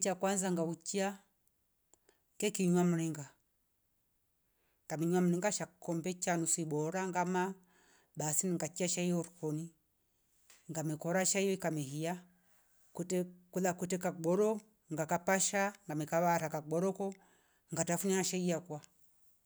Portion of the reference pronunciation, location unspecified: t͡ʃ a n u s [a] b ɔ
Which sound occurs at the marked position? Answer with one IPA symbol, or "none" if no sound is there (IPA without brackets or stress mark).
i